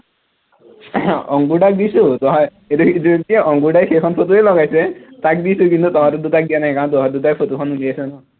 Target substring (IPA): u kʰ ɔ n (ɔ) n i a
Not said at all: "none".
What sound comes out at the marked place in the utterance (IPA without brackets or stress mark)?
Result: u